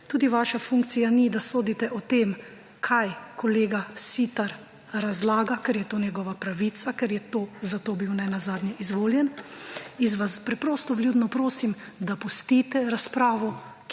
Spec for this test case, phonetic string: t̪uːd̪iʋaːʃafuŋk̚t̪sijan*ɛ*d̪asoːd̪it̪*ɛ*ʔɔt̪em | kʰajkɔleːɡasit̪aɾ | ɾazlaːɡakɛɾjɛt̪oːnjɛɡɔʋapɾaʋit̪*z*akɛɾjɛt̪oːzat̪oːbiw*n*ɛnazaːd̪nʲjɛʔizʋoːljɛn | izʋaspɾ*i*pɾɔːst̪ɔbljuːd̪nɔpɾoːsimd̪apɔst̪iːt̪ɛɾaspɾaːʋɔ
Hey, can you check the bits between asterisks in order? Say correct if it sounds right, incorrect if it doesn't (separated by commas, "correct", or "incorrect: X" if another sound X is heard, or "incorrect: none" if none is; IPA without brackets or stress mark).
incorrect: i, correct, incorrect: s, correct, incorrect: ɛ